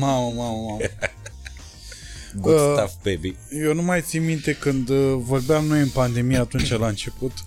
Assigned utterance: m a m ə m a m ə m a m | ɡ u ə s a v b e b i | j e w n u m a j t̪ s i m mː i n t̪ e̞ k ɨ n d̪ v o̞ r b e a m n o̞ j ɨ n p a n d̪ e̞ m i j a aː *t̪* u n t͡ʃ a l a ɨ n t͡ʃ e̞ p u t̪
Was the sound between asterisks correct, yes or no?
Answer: yes